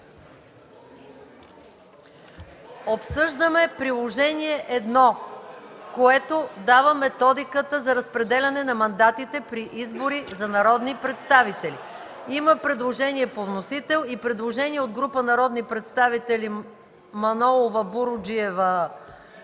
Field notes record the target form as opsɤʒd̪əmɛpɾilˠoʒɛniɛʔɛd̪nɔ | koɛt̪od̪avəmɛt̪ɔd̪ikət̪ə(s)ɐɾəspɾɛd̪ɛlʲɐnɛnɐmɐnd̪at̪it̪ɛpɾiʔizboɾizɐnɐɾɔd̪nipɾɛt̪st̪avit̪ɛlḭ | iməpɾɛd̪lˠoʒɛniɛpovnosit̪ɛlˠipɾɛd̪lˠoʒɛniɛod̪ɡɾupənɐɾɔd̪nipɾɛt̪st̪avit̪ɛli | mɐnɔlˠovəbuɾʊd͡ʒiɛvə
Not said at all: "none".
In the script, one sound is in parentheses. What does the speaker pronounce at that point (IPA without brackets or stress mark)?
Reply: z